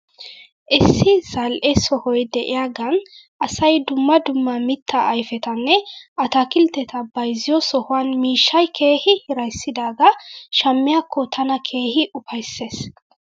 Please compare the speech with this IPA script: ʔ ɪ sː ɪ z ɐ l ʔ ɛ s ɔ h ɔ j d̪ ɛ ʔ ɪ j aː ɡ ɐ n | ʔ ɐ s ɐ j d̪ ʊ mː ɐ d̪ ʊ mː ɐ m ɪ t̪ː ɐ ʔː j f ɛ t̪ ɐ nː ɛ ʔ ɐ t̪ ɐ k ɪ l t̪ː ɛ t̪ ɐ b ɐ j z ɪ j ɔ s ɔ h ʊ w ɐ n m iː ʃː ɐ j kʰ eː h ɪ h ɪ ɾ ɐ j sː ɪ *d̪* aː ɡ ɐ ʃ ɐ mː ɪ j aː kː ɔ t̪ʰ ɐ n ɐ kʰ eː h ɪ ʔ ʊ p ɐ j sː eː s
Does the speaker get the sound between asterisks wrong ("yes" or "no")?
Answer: no